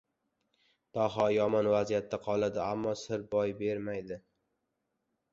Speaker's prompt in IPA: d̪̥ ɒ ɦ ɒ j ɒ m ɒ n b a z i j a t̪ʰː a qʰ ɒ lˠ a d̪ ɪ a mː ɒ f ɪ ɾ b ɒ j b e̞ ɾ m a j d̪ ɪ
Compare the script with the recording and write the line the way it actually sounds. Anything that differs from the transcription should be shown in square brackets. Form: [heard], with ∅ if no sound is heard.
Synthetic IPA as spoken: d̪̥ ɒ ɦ ɒ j ɒ m ɒ n [v] a z i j a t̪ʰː a qʰ ɒ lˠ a d̪ ɪ a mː ɒ [s] ɪ ɾ b ɒ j b e̞ ɾ m a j d̪ ɪ